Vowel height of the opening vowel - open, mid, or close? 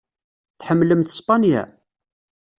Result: mid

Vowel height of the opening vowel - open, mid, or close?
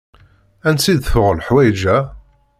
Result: open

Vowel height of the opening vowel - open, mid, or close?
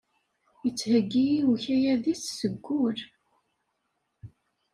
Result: mid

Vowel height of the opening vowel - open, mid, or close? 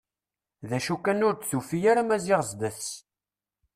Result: open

